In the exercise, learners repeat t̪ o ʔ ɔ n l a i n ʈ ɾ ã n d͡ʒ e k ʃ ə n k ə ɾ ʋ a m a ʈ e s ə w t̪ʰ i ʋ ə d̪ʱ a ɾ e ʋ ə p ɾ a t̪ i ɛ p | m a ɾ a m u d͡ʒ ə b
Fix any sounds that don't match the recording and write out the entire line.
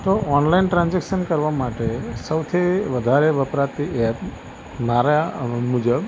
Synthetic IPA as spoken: t̪ o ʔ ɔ n l a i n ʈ ɾ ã n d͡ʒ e k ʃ ə n k ə ɾ ʋ a m a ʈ e s ə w t̪ʰ i ʋ ə d̪ʱ a ɾ e ʋ ə p ɾ a t̪ i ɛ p | m a ɾ a m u d͡ʒ ə b